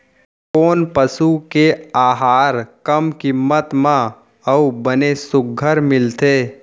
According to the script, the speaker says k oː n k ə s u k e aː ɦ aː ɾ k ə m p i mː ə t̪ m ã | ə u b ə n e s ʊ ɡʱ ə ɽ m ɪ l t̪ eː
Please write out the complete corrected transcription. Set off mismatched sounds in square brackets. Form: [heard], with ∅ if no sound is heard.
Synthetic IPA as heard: k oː n [p] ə s u k e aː ɦ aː ɾ k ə m [k] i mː ə t̪ m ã | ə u b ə n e s ʊ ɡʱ ə [ɾ] m ɪ l t̪ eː

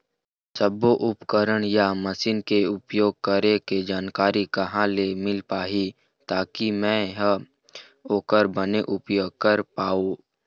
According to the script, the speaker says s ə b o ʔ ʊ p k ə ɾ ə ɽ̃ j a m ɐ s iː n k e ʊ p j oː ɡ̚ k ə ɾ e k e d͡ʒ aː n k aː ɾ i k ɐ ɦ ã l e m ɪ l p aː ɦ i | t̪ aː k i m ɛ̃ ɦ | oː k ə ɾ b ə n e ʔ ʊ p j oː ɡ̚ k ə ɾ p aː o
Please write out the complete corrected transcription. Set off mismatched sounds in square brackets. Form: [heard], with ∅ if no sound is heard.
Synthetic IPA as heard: s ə b o ʔ ʊ p k ə ɾ ə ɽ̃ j a m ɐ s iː n k e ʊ p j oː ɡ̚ k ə ɾ e k e d͡ʒ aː n k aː ɾ i k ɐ ɦ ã l e m ɪ l p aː ɦ i | t̪ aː k i m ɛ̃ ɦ | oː k ə ɾ b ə n e ʔ ʊ p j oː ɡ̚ k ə ɾ p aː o

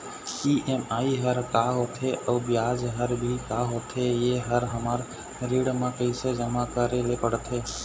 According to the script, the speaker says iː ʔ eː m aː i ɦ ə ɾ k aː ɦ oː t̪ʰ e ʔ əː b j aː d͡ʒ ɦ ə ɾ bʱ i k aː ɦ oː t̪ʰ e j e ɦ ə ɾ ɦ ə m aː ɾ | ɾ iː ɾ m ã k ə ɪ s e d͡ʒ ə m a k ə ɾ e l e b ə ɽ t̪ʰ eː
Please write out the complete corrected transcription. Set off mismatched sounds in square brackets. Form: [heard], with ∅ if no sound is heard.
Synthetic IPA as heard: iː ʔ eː m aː i ɦ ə ɾ k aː ɦ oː t̪ʰ e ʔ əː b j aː d͡ʒ ɦ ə ɾ bʱ i k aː ɦ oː t̪ʰ e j e ɦ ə ɾ ɦ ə m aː ɾ | ɾ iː [ɽ] m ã k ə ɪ s e d͡ʒ ə m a k ə ɾ e l e [p] ə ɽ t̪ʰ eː

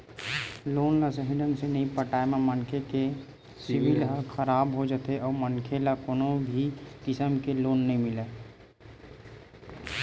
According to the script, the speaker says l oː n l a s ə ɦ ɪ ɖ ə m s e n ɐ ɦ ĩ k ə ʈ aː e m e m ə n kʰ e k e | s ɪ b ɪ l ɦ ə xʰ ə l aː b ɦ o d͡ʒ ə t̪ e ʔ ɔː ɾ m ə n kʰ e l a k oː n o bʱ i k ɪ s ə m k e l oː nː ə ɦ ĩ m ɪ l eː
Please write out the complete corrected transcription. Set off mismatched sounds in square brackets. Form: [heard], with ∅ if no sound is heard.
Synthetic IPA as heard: l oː n l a s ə ɦ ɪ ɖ ə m s e n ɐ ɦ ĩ [p] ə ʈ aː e m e m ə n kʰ e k e | s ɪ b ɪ l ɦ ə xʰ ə [ɾ] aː b ɦ o d͡ʒ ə t̪ e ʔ ɔː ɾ m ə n kʰ e l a k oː n o bʱ i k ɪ s ə m k e l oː nː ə ɦ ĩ m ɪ l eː

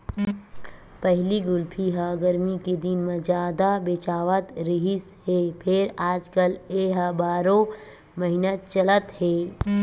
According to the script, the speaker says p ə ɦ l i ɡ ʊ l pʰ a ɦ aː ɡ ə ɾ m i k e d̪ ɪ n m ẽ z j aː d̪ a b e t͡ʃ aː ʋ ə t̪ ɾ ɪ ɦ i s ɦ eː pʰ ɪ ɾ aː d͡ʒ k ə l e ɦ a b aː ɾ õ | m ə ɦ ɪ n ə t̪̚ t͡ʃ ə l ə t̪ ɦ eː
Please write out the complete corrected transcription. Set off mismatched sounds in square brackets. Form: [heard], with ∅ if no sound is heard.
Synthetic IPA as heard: p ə ɦ l i ɡ ʊ l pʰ [i] ɦ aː ɡ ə ɾ m i k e d̪ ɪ n m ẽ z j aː d̪ a b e t͡ʃ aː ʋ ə t̪ ɾ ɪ ɦ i s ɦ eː pʰ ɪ ɾ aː d͡ʒ k ə l e ɦ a b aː ɾ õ | m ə ɦ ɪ n ə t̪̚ t͡ʃ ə l ə t̪ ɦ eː

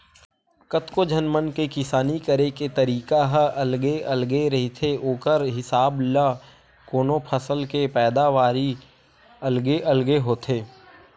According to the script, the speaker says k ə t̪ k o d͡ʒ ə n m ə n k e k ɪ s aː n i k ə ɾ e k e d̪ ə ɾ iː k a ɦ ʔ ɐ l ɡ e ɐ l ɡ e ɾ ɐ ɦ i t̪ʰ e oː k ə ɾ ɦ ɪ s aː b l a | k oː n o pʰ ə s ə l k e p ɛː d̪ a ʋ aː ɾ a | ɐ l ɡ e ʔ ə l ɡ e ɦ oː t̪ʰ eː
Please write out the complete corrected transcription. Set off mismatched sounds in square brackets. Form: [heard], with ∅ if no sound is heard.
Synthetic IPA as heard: k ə t̪ k o d͡ʒ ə n m ə n k e k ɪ s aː n i k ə ɾ e k e [t̪] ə ɾ iː k a ɦ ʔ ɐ l ɡ e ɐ l ɡ e ɾ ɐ ɦ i t̪ʰ e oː k ə ɾ ɦ ɪ s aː b l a | k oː n o pʰ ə s ə l k e p ɛː d̪ a ʋ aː ɾ [i] | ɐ l ɡ e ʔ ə l ɡ e ɦ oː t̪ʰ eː

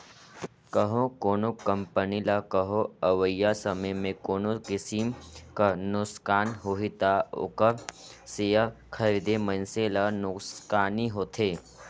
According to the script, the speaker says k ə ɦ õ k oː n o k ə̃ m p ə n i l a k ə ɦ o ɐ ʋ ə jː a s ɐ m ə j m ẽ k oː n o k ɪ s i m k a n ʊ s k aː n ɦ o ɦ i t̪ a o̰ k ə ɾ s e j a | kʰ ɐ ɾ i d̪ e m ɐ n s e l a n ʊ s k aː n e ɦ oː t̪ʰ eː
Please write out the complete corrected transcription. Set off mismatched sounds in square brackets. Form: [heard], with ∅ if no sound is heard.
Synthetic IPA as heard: k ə ɦ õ k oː n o k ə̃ m p ə n i l a k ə ɦ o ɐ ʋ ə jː a s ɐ m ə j m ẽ k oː n o k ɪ s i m k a n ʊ s k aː n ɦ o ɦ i t̪ a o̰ k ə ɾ s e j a | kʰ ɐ ɾ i d̪ e m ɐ n s e l a n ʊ s k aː n [i] ɦ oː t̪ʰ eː

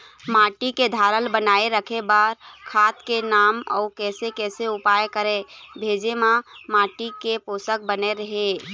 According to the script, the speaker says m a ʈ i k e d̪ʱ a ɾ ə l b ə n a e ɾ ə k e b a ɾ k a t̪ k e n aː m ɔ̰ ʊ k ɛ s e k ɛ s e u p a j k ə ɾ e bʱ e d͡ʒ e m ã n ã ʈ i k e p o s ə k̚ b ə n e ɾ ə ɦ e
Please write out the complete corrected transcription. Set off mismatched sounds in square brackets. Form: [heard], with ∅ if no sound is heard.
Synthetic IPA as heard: m a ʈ i k e d̪ʱ a ɾ ə l b ə n a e ɾ ə [kʰ] e b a ɾ [kʰ] a t̪ k e n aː m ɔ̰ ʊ k ɛ s e k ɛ s e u p a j k ə ɾ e bʱ e d͡ʒ e m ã [m] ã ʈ i k e p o s ə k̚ b ə n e ɾ ə ɦ e

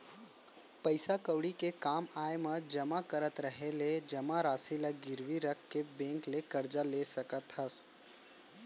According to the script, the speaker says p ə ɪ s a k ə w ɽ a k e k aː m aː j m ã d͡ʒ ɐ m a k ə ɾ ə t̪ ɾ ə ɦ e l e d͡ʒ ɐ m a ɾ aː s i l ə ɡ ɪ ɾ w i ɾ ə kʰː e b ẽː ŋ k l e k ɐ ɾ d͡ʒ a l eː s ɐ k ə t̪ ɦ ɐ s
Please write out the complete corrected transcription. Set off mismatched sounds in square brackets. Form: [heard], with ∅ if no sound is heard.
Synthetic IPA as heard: p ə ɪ s a k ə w ɽ [i] k e k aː m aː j m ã d͡ʒ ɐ m a k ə ɾ ə t̪ ɾ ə ɦ e l e d͡ʒ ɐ m a ɾ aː s i l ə ɡ ɪ ɾ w i ɾ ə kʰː e b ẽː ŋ k l e k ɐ ɾ d͡ʒ a l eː s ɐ k ə t̪ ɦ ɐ s

